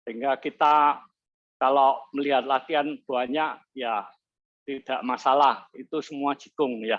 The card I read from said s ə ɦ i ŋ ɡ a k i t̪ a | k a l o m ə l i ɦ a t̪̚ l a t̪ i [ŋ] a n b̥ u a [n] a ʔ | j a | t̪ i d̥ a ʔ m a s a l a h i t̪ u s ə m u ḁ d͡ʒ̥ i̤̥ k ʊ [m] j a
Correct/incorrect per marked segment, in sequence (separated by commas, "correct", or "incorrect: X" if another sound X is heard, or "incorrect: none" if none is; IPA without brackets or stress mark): incorrect: none, incorrect: ɲ, incorrect: ŋ